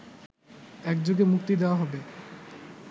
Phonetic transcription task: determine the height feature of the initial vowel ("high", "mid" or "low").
mid